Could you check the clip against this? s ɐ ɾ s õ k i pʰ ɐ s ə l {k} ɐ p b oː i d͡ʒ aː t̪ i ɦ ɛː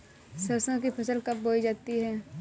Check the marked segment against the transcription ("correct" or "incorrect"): correct